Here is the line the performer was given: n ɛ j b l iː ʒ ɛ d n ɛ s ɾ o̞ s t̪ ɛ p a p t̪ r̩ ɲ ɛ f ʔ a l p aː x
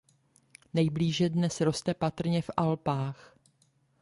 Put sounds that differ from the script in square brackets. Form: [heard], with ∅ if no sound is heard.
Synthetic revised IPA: n ɛ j b l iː ʒ ɛ d n ɛ s ɾ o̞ s t̪ ɛ p a [∅] t̪ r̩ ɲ ɛ f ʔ a l p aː x